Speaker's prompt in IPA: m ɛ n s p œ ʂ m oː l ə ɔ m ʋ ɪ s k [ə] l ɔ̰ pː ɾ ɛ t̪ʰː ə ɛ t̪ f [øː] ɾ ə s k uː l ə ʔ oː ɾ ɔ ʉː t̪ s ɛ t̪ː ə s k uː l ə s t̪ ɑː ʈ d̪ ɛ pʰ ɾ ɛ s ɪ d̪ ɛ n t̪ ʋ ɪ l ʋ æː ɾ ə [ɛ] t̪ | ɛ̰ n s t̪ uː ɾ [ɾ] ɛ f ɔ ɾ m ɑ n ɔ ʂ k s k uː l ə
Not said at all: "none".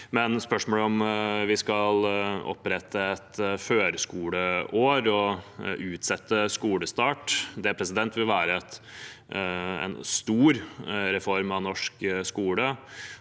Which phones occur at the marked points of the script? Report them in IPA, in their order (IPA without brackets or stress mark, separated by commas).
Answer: ɑ, øː, ɛ, ɾ